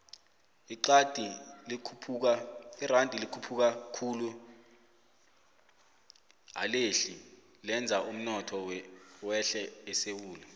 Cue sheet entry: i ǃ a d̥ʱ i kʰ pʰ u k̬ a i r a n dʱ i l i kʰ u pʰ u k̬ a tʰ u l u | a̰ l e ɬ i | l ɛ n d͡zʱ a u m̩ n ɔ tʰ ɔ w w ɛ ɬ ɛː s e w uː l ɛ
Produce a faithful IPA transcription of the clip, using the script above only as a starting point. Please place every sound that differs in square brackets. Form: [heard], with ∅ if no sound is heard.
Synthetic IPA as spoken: i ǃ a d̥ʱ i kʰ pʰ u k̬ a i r a n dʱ i l i kʰ u pʰ u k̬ a [kʰ] u l u | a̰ l e ɬ i | l ɛ n d͡zʱ a u m̩ n ɔ tʰ ɔ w w ɛ ɬ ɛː s e w uː l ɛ